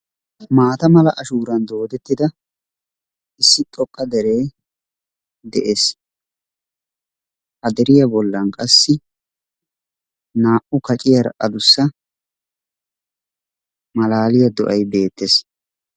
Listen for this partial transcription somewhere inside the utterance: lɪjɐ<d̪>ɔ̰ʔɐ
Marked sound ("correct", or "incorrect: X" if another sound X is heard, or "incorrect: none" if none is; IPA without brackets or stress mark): correct